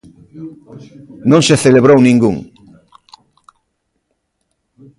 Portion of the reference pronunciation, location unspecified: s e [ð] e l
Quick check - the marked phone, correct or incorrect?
incorrect